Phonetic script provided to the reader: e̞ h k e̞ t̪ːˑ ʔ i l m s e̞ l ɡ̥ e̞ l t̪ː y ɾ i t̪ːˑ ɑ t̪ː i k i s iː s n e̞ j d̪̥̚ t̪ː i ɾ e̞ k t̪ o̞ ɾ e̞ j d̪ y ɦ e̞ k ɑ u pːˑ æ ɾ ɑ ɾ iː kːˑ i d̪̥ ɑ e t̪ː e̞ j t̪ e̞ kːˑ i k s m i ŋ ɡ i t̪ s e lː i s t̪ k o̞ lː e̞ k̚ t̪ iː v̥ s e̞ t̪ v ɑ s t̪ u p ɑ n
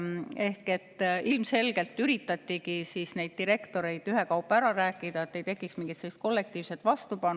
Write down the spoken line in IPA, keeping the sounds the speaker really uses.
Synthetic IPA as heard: e̞ h k e̞ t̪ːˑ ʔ i l m s e̞ l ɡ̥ e̞ l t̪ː y ɾ i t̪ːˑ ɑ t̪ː i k i s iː s n e̞ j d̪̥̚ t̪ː i ɾ e̞ k t̪ o̞ ɾ e̞ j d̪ y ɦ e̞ k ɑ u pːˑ æ ɾ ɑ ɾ æː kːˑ i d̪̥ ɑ e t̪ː e̞ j t̪ e̞ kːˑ i k s m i ŋ ɡ i t̪ s e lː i s t̪ k o̞ lː e̞ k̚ t̪ iː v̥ s e̞ t̪ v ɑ s t̪ u p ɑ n